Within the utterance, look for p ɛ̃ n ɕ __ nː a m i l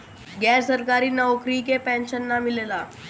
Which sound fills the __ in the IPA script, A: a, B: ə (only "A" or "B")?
B